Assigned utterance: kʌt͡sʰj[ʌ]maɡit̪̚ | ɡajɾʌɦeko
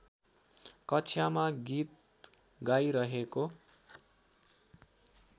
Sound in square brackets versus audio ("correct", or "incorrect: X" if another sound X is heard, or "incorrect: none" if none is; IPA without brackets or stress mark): incorrect: a